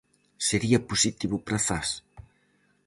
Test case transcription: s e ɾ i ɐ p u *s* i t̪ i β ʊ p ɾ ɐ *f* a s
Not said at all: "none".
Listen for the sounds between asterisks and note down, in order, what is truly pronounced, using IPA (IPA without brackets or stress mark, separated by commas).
s, f